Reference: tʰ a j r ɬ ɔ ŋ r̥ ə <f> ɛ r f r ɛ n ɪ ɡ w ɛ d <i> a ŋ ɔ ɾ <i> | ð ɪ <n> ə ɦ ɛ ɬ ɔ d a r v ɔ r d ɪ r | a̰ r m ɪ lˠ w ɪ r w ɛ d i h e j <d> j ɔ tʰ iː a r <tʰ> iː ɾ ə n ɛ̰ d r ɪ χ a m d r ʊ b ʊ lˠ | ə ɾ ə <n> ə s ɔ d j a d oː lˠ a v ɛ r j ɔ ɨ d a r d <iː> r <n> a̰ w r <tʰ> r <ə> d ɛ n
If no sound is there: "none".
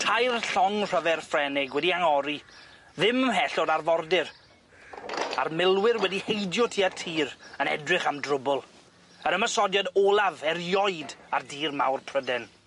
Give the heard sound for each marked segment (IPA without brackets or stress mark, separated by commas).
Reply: v, i, i, m, d, tʰ, m, iː, m, pʰ, ə